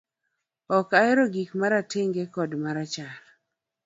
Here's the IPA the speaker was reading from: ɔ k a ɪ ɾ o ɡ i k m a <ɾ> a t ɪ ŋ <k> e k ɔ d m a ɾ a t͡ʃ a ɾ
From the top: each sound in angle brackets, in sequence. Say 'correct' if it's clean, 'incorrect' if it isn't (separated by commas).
correct, incorrect